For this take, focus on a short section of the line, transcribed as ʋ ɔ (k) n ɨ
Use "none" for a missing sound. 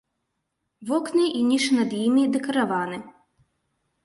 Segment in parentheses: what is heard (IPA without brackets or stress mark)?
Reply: k